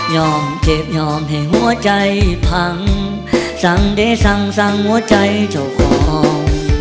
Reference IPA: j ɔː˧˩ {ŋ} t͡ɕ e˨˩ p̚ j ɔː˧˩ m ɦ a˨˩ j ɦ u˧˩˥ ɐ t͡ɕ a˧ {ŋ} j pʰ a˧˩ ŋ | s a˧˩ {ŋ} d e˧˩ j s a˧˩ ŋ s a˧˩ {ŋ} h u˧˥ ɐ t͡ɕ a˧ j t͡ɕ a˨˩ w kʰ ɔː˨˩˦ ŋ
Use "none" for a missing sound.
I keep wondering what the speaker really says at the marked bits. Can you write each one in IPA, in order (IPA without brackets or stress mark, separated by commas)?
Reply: m, none, ŋ, ŋ